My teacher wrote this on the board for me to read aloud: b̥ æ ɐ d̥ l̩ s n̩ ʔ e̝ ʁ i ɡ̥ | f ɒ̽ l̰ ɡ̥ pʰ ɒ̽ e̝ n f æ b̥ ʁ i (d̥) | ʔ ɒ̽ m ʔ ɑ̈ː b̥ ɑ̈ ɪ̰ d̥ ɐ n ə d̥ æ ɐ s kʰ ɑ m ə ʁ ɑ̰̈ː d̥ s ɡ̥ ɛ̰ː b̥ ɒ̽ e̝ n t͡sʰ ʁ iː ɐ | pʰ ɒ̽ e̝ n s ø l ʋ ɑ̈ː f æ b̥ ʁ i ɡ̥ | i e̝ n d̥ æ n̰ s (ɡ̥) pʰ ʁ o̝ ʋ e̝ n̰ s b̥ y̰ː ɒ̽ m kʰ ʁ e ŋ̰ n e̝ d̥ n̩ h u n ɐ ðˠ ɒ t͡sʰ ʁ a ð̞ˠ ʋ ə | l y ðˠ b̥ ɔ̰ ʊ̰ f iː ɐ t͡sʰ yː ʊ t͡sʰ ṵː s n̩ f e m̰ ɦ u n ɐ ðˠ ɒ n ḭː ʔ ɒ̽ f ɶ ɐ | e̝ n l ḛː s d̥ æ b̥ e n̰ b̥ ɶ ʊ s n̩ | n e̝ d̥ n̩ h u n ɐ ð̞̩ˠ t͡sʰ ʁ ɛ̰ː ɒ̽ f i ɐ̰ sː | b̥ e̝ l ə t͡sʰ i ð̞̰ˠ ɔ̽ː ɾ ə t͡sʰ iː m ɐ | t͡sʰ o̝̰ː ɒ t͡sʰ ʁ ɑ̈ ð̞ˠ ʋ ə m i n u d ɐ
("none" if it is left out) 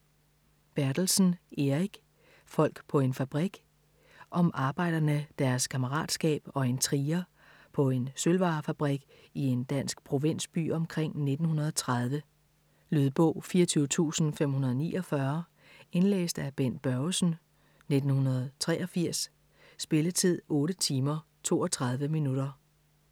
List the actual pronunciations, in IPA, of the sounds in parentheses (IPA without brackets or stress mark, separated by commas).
ɡ̥, ɡ̥